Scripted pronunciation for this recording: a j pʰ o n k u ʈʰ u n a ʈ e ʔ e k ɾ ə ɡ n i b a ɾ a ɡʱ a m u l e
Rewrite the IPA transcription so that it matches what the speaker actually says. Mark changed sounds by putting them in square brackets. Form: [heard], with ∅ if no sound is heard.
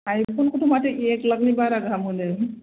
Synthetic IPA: a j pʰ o n k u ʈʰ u [m] a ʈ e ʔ e k [l] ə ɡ n i b a ɾ a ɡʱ a m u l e